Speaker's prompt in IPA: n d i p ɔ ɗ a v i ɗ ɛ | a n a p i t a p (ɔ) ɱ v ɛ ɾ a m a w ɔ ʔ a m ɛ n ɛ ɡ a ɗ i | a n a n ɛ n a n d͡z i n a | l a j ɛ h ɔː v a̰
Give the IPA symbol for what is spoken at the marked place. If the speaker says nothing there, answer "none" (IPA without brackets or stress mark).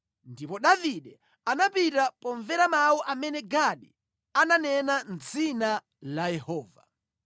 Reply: ɔ